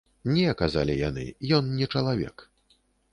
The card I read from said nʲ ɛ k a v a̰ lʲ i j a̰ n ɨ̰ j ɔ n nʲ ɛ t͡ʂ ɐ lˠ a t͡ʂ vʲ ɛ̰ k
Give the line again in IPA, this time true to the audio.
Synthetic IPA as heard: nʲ ɛ k a z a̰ lʲ i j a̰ n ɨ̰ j ɔ n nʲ ɛ t͡ʂ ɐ lˠ a vʲ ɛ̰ k